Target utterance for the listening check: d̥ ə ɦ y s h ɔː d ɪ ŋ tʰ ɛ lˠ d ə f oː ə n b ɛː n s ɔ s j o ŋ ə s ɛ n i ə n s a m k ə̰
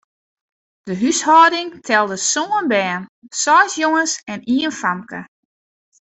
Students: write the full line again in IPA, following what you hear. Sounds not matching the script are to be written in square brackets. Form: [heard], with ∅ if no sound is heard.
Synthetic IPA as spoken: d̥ ə ɦ y s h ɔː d ɪ ŋ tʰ ɛ lˠ d ə [s] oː ə n b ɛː n s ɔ s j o ŋ ə s ɛ n i ə n [f] a m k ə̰